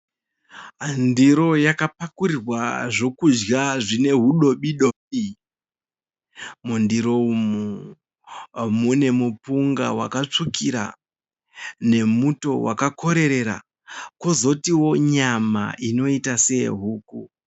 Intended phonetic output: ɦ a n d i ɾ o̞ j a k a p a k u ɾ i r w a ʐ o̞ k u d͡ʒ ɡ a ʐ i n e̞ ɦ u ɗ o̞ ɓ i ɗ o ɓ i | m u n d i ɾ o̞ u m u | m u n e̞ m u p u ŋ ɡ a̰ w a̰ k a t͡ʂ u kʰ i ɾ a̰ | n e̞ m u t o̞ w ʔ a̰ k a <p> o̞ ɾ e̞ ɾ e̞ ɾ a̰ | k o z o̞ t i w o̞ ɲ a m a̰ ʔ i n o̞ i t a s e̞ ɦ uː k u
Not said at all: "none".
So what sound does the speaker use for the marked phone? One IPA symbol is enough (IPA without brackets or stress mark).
k